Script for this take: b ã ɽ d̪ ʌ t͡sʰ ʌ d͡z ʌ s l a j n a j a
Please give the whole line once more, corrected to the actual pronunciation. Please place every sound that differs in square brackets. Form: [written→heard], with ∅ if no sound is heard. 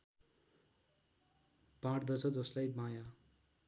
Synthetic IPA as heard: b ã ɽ d̪ ʌ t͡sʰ ʌ d͡z ʌ s l a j [n→m] a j a